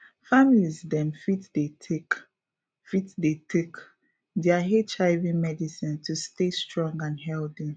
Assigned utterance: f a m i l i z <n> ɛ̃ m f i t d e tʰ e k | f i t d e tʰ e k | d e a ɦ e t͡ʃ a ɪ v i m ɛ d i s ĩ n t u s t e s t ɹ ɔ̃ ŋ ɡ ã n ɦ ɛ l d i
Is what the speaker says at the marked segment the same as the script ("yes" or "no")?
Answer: no